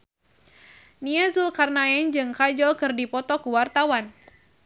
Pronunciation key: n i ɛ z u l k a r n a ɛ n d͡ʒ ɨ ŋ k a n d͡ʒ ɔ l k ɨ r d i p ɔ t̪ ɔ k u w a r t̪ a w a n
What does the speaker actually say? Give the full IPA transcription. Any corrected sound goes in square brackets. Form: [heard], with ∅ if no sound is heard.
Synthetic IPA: n i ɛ z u l k a r n a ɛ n d͡ʒ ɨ ŋ k a [∅] d͡ʒ ɔ l k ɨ r d i p ɔ t̪ ɔ k u w a r t̪ a w a n